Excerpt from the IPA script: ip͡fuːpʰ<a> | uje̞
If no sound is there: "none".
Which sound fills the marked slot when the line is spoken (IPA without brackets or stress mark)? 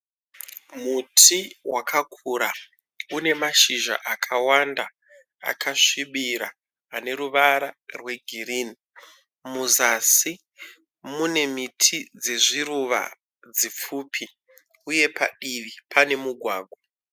i